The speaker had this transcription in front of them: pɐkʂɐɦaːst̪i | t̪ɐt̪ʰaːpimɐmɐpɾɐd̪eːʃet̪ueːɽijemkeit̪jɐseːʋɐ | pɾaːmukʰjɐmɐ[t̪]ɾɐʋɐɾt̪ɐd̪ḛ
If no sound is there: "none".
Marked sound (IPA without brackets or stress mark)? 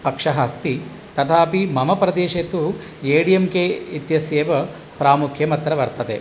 t̪